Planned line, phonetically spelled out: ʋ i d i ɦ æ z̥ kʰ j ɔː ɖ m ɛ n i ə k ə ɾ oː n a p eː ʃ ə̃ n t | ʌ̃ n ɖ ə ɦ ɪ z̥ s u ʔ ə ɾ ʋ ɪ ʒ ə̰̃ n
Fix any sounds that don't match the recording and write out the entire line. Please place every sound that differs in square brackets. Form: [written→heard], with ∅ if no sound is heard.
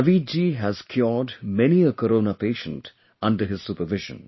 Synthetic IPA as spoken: ʋ i [d→d͡ʒ] i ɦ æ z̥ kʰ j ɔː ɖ m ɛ n i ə k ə ɾ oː n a p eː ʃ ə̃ n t | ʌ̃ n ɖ ə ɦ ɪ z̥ s u [ʔ→p] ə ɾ ʋ ɪ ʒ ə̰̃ n